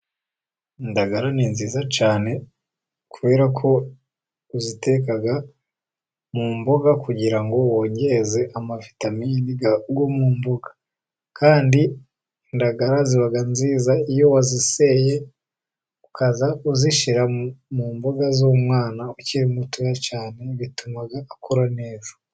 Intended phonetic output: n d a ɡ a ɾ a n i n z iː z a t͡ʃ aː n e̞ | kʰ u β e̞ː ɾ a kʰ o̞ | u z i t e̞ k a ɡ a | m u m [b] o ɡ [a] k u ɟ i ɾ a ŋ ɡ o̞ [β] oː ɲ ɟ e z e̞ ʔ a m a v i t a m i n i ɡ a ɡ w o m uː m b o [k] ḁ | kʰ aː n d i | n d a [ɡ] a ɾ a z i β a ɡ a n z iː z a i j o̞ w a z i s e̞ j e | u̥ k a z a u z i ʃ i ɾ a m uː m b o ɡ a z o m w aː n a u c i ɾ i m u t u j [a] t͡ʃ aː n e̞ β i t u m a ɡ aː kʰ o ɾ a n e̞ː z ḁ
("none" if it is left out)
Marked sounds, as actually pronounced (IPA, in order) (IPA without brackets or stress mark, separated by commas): b, a, w, ɡ, ɡ, a